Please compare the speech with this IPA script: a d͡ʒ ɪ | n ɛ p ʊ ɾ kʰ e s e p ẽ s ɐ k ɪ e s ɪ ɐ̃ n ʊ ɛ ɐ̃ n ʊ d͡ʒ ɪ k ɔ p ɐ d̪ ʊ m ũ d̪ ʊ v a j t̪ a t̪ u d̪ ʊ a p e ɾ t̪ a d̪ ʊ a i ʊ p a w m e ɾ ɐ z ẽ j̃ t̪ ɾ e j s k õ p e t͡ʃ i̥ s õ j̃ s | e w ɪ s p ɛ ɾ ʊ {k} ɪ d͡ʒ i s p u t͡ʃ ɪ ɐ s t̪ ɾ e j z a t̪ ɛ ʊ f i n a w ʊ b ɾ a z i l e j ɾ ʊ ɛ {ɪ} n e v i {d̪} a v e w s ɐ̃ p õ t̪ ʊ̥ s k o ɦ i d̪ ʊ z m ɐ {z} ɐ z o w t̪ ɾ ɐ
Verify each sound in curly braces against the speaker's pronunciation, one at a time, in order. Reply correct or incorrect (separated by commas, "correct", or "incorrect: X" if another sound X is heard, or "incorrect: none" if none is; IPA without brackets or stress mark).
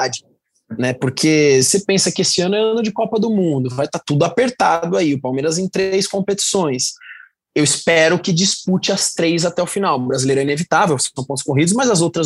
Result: correct, incorrect: i, incorrect: t̪, correct